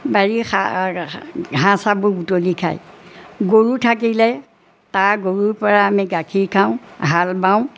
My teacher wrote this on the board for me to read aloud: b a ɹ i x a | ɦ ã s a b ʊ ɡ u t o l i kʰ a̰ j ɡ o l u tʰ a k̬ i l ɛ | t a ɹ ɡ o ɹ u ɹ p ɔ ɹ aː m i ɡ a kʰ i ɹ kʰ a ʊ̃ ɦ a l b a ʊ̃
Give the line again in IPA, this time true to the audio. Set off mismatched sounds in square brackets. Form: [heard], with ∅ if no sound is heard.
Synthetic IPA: b a ɹ i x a | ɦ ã s a b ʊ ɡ u t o l i kʰ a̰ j ɡ o [ɹ] u tʰ a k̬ i l ɛ | t a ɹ ɡ o ɹ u ɹ p ɔ ɹ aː m i ɡ a kʰ i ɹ kʰ a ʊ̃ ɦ a l b a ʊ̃